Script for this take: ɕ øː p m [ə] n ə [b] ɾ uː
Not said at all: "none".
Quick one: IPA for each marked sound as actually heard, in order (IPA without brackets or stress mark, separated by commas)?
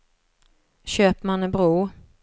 a, b